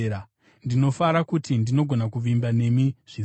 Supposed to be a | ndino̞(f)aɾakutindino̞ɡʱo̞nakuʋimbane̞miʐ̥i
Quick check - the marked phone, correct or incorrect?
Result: correct